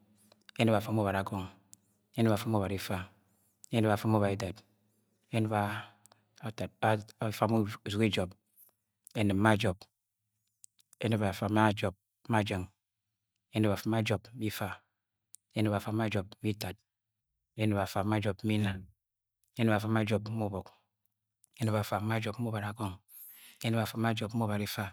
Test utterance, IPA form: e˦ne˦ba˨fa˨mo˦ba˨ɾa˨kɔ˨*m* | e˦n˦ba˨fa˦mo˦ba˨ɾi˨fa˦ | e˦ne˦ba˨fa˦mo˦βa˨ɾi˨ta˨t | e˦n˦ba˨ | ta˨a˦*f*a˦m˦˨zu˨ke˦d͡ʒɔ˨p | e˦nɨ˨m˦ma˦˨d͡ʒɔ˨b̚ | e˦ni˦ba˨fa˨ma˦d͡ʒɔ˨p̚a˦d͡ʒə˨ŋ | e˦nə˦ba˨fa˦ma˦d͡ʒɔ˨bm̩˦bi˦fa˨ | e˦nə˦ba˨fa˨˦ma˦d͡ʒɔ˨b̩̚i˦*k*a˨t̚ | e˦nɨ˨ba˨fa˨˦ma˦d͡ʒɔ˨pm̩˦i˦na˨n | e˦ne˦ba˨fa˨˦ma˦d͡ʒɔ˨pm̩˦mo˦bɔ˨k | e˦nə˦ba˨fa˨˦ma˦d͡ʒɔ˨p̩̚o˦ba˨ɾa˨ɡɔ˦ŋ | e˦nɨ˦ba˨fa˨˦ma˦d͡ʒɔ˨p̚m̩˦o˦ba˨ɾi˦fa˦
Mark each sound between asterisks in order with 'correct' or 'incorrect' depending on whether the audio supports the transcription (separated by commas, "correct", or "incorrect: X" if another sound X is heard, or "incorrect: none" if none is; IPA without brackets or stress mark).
incorrect: ŋ, correct, incorrect: t